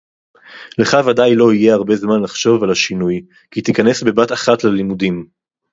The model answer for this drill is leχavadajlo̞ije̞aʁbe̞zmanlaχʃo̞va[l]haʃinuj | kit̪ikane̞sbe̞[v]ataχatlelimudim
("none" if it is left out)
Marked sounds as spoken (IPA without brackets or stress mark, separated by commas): l, b